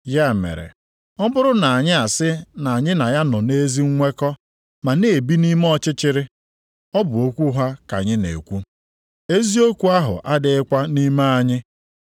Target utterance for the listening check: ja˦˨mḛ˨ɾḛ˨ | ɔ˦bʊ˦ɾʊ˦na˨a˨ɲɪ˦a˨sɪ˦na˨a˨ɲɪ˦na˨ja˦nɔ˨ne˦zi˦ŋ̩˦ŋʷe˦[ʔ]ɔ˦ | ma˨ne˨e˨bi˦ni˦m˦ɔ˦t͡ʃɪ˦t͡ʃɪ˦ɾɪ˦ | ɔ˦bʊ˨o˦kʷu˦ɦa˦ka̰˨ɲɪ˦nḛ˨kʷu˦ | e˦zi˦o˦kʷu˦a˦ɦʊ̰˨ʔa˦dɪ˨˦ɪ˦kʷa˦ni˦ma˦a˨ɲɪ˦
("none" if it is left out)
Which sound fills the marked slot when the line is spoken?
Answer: k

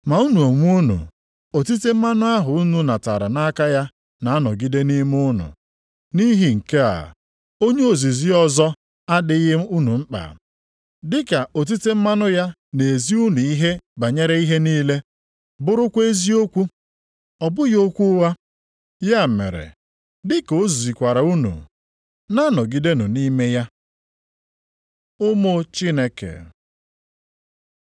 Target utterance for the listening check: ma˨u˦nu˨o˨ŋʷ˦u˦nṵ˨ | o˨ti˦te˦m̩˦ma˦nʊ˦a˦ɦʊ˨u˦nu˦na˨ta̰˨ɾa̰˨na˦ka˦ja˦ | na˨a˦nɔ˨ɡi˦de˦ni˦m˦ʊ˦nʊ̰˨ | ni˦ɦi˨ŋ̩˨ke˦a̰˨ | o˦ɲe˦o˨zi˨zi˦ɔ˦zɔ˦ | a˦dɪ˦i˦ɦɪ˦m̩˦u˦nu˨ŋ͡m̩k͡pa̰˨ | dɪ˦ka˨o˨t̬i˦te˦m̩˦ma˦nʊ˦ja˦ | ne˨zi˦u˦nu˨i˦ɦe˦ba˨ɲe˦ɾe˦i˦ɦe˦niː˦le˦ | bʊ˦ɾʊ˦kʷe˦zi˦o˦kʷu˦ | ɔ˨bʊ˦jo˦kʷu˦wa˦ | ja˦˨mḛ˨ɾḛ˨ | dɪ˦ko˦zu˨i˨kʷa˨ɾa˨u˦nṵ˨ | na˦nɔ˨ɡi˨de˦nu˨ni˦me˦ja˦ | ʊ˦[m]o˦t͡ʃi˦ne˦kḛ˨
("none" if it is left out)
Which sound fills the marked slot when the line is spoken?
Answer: m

